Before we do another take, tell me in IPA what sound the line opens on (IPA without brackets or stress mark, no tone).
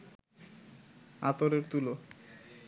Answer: a